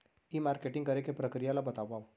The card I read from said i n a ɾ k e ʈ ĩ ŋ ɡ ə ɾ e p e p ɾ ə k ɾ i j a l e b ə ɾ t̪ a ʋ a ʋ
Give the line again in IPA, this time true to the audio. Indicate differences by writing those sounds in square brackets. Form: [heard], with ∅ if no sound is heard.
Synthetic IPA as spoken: i [m] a ɾ k e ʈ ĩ ŋ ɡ ə ɾ e [k] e p ɾ ə k ɾ i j a l [a] b ə [∅] t̪ a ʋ a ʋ

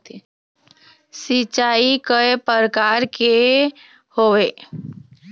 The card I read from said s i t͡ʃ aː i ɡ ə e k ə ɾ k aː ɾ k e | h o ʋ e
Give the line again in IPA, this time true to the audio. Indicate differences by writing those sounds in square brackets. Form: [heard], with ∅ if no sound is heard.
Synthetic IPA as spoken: s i t͡ʃ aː i [k] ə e [p] ə ɾ k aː ɾ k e | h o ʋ e

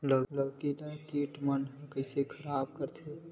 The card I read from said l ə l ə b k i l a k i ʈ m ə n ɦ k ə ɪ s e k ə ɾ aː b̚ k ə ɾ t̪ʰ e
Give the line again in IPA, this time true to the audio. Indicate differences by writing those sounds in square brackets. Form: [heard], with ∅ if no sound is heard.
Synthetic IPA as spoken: l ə l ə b k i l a k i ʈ m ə n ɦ k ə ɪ s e [kʰ] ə ɾ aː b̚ k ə ɾ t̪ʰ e

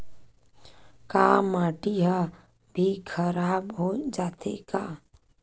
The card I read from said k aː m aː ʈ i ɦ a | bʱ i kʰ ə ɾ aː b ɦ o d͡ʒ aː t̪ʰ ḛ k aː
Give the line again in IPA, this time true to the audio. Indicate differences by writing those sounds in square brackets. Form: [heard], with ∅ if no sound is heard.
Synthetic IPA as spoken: k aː m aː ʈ i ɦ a | bʱ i kʰ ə ɾ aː b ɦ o d͡ʒ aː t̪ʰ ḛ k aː

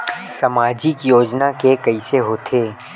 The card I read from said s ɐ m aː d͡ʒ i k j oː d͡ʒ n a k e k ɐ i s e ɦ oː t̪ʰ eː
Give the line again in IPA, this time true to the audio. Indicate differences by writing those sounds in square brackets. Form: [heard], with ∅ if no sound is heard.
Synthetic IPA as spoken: s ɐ m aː d͡ʒ i k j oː d͡ʒ n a k e k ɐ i s e ɦ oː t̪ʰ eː

